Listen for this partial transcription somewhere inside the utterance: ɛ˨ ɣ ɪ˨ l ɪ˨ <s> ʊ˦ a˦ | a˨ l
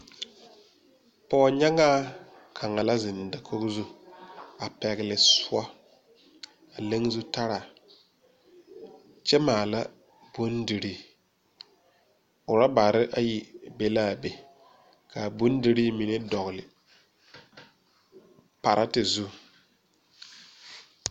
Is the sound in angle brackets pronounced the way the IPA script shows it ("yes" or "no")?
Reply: yes